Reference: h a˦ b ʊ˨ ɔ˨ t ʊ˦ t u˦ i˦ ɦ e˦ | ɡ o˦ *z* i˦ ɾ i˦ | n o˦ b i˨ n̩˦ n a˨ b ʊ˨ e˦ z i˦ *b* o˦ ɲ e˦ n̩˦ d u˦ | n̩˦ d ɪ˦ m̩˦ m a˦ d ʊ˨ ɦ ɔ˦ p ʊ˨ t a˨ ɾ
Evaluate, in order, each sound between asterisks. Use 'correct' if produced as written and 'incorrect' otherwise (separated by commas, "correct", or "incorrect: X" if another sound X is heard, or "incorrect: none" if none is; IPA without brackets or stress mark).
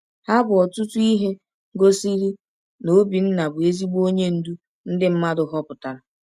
incorrect: s, incorrect: ɡ͡b